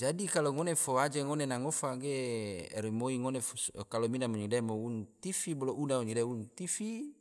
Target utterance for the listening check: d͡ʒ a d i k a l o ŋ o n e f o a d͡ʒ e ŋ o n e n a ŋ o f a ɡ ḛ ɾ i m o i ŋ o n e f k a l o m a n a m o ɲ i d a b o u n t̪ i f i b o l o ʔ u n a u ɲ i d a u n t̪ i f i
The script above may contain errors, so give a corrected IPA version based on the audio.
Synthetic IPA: d͡ʒ a d i k a l o ŋ o n e f o a d͡ʒ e ŋ o n e n a ŋ o f a ɡ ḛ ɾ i m o i ŋ o n e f k a l o m i n a m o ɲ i d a m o u n t̪ i f i b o l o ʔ u n a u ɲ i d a u n t̪ i f i